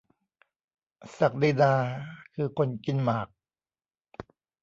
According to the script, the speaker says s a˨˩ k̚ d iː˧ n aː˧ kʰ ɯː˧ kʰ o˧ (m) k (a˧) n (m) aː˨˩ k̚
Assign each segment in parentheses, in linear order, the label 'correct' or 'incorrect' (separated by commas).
incorrect, incorrect, correct